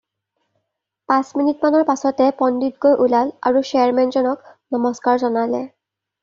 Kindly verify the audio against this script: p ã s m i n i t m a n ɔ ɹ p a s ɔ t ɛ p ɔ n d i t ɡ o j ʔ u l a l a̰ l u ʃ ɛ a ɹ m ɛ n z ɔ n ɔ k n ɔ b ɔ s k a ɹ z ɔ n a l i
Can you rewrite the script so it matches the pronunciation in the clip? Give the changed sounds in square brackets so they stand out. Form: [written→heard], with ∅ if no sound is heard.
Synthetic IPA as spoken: p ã s m i n i t m a n ɔ ɹ p a s ɔ t ɛ p ɔ n d i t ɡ o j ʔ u l a l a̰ [l→ɹ] u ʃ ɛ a ɹ m ɛ n z ɔ n ɔ k n ɔ [b→m] ɔ s k a ɹ z ɔ n a l [i→ɛ]